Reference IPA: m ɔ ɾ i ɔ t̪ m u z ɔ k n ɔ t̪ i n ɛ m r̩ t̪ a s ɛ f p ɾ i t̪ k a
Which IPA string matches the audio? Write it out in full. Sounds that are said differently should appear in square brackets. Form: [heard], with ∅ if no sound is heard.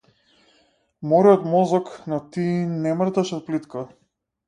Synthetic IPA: m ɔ ɾ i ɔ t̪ m [ɔ] z ɔ k n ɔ t̪ i n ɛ m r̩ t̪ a [ʃ] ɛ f p [l] i t̪ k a